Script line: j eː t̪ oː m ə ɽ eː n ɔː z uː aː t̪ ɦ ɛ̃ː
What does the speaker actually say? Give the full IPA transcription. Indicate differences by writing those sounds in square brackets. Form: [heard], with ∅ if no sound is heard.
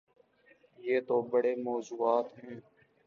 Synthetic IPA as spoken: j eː t̪ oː [b] ə ɽ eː [m] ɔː z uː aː t̪ ɦ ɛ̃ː